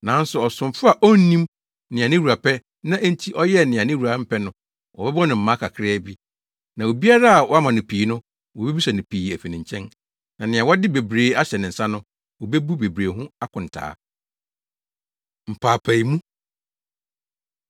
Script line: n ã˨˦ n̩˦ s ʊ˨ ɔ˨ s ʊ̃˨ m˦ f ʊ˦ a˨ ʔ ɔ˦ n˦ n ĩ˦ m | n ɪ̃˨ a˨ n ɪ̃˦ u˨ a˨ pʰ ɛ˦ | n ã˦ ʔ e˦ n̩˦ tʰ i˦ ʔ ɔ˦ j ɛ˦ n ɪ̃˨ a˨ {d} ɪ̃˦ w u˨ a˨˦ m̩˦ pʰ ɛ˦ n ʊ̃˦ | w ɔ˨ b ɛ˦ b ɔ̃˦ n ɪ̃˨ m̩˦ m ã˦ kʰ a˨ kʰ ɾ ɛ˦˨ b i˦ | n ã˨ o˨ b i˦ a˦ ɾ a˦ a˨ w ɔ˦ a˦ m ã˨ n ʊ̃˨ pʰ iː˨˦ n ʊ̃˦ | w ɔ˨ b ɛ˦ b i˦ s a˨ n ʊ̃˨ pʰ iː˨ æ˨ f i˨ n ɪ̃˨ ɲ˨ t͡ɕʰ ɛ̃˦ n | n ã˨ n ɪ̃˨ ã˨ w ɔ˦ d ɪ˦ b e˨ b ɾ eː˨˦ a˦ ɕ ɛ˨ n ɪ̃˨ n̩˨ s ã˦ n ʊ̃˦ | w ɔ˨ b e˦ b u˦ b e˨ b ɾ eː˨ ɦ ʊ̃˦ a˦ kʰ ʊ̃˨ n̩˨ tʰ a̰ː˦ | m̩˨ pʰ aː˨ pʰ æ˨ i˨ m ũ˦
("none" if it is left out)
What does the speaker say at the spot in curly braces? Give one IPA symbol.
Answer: n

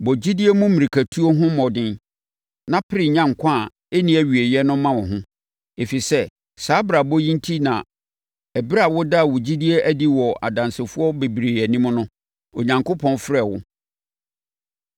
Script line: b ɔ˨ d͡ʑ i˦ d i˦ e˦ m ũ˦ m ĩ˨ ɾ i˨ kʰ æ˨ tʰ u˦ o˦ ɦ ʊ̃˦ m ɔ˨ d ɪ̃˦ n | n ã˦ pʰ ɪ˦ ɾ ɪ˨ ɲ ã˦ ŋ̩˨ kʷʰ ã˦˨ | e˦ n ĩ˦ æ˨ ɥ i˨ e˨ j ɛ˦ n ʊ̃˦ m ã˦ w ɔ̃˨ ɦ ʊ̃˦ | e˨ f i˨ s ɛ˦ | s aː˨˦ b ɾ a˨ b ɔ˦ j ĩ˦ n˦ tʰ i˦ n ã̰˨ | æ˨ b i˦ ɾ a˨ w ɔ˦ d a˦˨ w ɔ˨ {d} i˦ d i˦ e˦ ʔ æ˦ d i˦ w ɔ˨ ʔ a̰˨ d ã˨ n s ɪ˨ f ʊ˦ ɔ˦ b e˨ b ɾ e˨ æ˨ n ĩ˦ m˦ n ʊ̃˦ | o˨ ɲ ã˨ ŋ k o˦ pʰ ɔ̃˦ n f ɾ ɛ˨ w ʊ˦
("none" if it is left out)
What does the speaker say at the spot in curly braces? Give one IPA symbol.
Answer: d͡ʑ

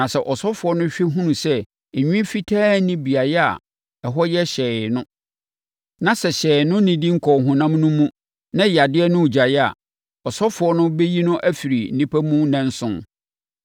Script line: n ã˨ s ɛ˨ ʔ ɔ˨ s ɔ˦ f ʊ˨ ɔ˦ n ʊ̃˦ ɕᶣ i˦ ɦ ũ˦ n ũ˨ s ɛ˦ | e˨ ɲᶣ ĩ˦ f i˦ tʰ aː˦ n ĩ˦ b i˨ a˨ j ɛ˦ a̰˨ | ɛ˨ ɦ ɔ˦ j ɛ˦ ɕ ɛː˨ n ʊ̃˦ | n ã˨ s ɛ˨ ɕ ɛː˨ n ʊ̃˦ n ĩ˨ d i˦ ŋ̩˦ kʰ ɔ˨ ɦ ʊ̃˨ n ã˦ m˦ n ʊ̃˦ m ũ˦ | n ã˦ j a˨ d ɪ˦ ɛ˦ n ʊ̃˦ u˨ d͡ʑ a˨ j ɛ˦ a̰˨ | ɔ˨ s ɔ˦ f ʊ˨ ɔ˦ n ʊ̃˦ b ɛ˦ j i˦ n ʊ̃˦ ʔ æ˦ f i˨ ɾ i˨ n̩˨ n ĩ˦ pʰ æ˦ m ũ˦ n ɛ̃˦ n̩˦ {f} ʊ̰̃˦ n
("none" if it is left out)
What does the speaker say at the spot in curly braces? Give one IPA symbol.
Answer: s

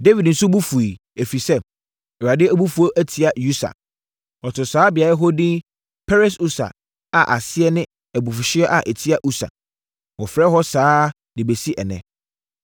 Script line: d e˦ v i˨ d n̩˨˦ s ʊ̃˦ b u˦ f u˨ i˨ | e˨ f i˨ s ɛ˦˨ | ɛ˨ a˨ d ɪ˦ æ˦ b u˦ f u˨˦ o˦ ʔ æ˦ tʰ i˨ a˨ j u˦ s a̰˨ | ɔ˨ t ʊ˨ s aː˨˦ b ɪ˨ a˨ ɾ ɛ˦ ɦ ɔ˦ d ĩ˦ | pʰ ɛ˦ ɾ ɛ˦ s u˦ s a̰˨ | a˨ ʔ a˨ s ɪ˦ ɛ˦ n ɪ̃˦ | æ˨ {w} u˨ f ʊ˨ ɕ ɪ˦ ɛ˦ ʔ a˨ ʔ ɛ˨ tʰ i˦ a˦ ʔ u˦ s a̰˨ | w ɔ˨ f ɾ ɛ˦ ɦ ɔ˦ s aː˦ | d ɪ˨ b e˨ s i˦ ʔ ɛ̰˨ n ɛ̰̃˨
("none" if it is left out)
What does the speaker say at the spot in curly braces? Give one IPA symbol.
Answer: b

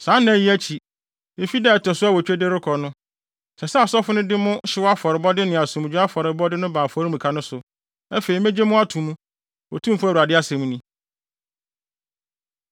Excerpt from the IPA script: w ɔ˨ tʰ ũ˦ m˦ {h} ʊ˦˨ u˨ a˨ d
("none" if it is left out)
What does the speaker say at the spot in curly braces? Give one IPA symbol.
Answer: f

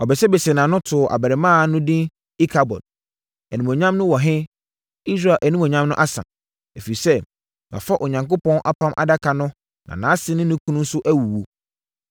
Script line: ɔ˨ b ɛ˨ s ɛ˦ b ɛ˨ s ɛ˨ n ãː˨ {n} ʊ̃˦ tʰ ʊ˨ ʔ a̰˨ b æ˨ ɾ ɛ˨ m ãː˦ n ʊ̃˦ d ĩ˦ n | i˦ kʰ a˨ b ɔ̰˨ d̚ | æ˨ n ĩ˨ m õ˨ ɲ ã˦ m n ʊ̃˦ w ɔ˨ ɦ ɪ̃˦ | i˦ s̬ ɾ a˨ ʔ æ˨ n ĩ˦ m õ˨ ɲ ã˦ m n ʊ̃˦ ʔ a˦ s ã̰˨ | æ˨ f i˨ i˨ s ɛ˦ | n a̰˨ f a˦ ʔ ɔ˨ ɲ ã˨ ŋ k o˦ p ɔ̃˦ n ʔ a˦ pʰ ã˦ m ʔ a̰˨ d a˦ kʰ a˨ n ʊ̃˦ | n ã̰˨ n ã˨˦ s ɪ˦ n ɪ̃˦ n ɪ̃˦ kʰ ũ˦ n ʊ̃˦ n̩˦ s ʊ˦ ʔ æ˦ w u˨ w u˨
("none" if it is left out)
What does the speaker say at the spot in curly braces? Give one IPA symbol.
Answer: n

